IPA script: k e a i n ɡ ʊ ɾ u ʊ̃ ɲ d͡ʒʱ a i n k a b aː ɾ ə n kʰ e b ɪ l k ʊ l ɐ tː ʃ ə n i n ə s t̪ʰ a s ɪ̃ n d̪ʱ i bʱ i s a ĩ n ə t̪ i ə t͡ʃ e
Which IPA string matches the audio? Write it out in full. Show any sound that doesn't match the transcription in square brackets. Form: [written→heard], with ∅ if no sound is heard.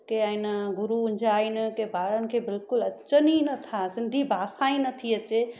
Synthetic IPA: k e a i n ɡ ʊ ɾ u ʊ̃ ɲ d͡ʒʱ a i n k [a→e] b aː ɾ ə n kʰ e b ɪ l k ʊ l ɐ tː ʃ ə n i n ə [s→∅] t̪ʰ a s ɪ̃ n d̪ʱ i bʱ [i→a] s a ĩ n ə [t̪→t̪ʰ] i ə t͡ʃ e